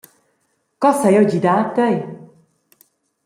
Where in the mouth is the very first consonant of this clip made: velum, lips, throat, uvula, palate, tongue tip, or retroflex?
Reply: velum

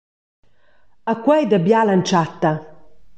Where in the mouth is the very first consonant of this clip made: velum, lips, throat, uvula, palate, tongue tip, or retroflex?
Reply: velum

